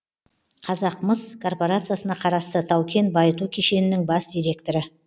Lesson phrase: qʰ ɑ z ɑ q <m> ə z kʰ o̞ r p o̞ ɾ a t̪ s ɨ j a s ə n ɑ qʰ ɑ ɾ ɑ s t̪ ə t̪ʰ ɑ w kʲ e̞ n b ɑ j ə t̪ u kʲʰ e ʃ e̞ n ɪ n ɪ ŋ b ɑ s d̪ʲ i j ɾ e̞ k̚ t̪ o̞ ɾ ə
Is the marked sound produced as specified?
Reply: yes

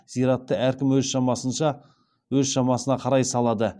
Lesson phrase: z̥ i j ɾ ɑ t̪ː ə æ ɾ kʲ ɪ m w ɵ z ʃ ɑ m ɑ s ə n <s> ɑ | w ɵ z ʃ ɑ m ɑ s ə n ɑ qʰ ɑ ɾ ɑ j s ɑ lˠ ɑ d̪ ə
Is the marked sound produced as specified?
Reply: no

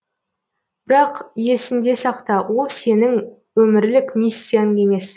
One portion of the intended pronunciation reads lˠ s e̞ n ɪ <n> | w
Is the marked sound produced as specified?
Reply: no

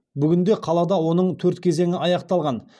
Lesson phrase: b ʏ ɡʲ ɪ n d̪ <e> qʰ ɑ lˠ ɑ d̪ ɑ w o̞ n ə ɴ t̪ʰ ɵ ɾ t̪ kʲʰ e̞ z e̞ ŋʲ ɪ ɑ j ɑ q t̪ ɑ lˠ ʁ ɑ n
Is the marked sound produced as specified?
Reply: yes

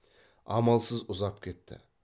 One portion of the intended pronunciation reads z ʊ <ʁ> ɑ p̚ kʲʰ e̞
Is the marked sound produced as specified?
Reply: no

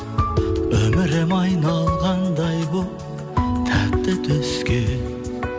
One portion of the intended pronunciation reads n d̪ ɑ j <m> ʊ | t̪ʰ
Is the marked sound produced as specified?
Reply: no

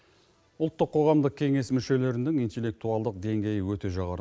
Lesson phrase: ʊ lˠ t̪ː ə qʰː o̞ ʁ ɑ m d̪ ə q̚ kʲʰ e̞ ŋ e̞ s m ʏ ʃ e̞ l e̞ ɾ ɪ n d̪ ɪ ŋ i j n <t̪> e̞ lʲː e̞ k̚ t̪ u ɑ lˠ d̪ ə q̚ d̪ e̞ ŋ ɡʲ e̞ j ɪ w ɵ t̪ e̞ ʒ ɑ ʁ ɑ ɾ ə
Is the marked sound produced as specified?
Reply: yes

